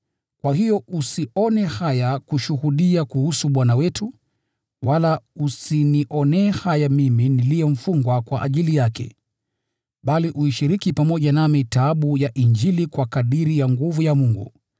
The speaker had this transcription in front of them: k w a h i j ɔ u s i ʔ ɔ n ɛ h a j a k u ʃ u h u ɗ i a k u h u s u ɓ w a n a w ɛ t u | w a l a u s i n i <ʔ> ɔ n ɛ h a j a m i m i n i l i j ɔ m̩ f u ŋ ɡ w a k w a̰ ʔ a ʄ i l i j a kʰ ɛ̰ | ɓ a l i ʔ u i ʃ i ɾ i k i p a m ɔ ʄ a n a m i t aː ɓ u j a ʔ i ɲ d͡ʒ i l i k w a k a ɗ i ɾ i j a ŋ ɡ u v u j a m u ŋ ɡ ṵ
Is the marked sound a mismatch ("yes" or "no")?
no